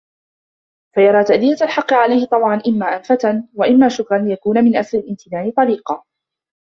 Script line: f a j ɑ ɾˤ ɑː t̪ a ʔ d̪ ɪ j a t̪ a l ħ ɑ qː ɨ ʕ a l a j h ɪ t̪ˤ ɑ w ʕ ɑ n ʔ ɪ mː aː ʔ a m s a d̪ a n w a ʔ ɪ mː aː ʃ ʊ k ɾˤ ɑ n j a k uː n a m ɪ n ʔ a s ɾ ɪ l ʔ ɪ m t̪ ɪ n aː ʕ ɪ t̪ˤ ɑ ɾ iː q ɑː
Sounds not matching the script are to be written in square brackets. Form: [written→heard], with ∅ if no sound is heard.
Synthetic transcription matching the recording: f a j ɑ ɾˤ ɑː t̪ a ʔ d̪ ɪ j a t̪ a l ħ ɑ qː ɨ ʕ a l a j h ɪ t̪ˤ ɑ [w→b] ʕ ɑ n ʔ ɪ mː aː ʔ a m [s→f] a [d̪→t̪] a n w a ʔ ɪ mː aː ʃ ʊ k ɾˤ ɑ n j a k uː n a m ɪ n ʔ a s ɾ ɪ l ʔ ɪ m t̪ ɪ n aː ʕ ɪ t̪ˤ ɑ ɾ iː q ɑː